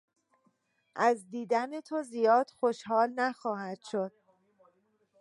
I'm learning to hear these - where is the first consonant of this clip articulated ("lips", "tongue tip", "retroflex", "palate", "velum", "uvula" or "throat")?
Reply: throat